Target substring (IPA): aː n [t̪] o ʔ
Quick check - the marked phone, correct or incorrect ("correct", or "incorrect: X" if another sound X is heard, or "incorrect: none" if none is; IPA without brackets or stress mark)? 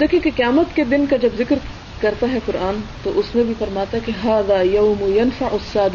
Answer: correct